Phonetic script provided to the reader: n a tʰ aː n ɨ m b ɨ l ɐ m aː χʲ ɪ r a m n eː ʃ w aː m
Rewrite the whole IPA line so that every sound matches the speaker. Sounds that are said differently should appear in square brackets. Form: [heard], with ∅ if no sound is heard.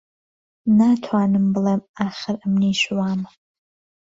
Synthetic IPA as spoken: n a tʰ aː n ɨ m b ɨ l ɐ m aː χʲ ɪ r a m n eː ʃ w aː m